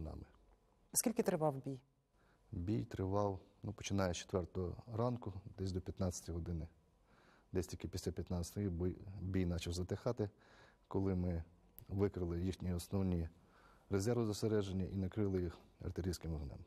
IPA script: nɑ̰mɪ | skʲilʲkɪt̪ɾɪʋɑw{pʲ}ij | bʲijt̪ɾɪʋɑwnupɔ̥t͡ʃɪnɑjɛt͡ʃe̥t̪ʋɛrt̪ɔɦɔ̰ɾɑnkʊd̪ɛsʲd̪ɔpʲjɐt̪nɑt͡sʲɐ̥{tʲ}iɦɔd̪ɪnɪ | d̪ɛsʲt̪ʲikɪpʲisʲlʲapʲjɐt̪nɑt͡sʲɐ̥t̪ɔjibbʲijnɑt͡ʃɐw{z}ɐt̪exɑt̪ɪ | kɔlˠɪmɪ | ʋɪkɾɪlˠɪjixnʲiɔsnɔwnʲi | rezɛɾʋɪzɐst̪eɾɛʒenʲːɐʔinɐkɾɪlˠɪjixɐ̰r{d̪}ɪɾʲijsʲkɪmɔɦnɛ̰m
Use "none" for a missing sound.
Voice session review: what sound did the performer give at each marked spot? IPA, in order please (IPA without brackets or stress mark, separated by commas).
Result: bʲ, tʲ, z, t̪